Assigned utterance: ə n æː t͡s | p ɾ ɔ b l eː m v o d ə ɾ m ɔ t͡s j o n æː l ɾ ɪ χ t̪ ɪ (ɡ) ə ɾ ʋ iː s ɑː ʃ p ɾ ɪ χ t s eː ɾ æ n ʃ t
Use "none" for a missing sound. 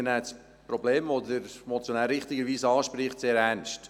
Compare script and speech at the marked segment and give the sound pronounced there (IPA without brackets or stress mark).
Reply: ɡ